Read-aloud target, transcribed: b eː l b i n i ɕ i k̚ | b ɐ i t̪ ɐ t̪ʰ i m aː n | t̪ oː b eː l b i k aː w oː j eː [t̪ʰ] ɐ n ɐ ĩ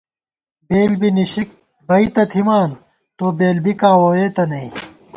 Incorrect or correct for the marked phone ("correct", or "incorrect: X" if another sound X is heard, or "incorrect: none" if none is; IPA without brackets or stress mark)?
incorrect: t̪